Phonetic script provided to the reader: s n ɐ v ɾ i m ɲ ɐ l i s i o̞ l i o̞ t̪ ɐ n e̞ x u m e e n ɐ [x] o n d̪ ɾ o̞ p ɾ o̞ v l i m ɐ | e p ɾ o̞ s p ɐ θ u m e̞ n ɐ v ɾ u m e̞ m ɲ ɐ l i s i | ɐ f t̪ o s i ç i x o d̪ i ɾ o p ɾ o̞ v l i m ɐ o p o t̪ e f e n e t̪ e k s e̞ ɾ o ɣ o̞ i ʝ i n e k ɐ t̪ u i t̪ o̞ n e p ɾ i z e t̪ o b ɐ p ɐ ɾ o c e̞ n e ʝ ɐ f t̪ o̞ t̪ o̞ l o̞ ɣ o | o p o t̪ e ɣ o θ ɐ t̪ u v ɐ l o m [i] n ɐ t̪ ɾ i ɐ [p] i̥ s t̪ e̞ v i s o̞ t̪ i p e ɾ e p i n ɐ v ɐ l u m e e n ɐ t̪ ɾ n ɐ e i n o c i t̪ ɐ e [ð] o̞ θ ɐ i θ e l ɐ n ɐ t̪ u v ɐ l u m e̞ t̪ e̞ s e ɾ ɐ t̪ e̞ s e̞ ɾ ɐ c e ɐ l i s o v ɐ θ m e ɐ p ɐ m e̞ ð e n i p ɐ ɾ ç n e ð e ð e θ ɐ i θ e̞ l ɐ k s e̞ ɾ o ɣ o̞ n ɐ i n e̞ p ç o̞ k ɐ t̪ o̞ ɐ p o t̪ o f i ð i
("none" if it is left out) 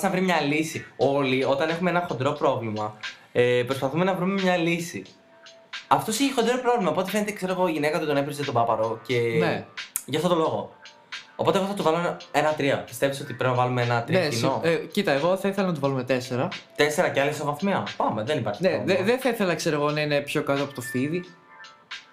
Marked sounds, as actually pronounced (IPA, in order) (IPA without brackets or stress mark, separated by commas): x, e, p, ɣ